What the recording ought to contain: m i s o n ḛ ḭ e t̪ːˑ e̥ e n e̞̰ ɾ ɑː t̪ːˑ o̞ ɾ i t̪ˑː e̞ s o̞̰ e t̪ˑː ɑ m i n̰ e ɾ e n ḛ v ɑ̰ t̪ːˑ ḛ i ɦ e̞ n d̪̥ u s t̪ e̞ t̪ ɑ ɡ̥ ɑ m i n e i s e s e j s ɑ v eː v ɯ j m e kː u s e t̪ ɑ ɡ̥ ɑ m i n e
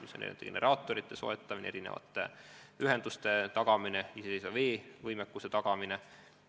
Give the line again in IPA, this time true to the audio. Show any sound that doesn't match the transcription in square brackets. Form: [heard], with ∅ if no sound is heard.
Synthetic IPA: m i s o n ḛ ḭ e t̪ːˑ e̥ e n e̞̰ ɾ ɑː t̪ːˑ o̞ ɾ i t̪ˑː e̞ s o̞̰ e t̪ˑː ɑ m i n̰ e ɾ [i] n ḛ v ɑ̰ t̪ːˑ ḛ [y] ɦ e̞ n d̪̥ u s t̪ e̞ t̪ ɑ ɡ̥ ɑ m i n e i s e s e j s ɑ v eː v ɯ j m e kː u s e t̪ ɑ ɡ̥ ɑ m i n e